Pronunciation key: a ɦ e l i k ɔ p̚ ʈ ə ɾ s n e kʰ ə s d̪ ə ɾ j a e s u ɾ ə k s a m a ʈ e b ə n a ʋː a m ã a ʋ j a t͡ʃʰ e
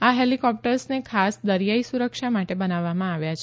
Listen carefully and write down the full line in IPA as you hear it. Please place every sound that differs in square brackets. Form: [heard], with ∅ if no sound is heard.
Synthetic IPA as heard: a ɦ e l i k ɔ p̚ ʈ ə ɾ s n e kʰ [a] s d̪ ə ɾ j a [i] s u ɾ ə k [ʃ] a m a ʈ e b ə n a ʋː a m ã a ʋ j a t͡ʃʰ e